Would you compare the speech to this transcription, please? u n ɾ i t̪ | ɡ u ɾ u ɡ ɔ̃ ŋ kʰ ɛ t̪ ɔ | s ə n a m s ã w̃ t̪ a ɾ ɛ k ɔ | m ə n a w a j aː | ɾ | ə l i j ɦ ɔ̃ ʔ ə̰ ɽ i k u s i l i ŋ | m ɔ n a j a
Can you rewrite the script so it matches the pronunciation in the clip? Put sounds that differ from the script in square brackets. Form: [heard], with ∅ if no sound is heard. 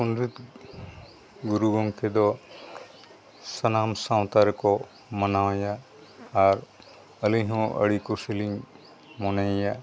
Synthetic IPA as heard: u n ɾ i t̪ | ɡ u ɾ u ɡ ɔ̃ ŋ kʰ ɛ [d̪] ɔ | s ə n a m s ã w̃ t̪ a ɾ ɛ k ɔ | m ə n a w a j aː | ɾ | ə l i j ɦ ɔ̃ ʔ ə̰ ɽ i k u s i l i ŋ | m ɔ n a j a